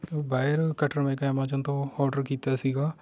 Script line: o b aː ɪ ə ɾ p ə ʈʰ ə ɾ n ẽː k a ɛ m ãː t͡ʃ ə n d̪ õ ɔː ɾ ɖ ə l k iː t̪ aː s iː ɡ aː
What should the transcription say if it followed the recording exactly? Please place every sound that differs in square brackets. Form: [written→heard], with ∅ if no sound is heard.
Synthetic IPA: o b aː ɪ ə ɾ [p→k] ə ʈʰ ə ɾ [n→m] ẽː k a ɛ m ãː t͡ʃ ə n [d̪→t̪] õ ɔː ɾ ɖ ə [l→ɾ] k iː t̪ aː s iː ɡ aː